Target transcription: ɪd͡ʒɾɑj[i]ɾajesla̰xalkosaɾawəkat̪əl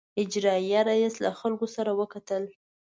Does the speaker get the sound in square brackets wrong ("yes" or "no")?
yes